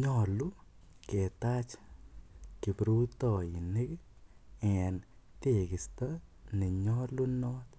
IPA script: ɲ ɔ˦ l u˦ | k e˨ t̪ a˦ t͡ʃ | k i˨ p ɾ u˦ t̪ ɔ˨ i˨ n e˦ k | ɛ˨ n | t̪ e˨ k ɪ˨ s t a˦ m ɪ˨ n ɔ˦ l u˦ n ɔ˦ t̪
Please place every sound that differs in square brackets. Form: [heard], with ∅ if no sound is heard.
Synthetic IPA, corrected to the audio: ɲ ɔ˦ l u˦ | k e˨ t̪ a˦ t͡ʃ | k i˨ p ɾ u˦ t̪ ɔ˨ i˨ n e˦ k | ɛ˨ n | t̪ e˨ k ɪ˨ s t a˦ [n] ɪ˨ [ɲ] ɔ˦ l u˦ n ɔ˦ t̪